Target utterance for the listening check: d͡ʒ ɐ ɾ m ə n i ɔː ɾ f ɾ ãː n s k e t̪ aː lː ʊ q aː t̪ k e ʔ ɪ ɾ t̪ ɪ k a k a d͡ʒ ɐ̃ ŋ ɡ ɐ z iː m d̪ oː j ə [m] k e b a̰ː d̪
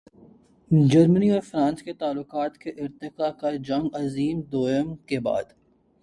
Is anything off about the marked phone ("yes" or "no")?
no